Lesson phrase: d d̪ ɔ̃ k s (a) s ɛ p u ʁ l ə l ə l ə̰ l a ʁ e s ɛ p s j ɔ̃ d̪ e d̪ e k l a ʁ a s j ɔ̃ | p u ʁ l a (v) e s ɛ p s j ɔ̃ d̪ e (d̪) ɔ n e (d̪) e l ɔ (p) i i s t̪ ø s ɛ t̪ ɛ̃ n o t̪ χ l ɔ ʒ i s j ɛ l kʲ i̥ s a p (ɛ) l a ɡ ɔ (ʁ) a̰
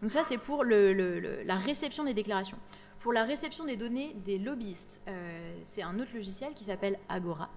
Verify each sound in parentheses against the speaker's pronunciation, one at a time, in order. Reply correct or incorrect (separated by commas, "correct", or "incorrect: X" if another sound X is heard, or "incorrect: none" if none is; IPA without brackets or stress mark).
correct, incorrect: ʁ, correct, correct, incorrect: b, correct, correct